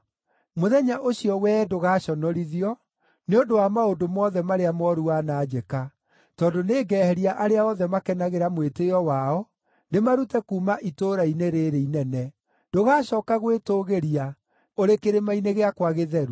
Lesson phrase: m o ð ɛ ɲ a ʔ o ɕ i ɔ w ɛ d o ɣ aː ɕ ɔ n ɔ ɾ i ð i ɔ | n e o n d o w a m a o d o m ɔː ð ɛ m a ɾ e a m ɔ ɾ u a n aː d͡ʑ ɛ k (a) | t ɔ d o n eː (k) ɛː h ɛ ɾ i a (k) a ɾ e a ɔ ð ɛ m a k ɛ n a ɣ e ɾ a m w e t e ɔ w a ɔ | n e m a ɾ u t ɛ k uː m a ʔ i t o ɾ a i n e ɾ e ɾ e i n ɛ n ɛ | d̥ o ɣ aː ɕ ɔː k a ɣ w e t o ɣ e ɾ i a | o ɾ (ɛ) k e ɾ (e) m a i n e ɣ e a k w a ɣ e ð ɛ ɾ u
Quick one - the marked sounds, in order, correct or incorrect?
correct, incorrect: ɡ, incorrect: ʔ, incorrect: e, correct

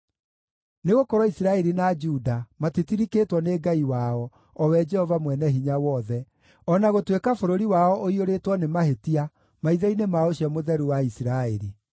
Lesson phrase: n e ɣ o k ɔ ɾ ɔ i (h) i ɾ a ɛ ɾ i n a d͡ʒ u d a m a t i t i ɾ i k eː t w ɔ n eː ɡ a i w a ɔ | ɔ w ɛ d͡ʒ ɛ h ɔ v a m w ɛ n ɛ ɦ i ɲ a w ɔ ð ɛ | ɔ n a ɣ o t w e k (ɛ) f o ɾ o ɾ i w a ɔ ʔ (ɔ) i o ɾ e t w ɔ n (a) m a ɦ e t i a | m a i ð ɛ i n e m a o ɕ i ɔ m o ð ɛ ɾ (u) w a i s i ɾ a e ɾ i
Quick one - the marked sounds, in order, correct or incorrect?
incorrect: s, incorrect: a, incorrect: o, incorrect: e, correct

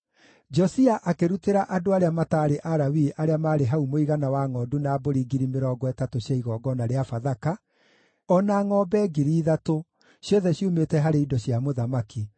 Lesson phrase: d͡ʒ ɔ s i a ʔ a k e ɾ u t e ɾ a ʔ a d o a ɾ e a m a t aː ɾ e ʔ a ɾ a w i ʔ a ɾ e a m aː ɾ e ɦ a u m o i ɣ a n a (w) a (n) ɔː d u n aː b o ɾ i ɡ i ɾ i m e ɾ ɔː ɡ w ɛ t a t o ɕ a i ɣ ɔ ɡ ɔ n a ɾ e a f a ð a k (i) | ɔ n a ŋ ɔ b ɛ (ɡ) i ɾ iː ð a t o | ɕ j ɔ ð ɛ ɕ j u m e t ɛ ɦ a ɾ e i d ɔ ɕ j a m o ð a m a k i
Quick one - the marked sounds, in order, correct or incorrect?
correct, incorrect: ŋ, incorrect: a, correct

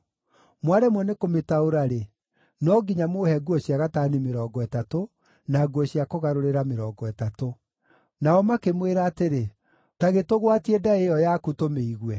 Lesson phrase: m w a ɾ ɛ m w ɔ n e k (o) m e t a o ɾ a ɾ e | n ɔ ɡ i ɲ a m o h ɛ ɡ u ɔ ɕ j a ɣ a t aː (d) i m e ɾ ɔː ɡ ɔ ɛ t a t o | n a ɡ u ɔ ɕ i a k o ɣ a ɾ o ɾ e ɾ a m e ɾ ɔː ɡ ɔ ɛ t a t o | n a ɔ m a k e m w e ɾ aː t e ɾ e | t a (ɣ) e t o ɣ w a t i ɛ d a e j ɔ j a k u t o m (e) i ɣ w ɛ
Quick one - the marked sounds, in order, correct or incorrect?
correct, incorrect: n, correct, correct

